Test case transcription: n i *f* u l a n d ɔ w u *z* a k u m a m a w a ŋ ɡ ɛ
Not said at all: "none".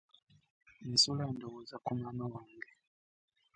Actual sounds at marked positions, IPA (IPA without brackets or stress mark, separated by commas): s, z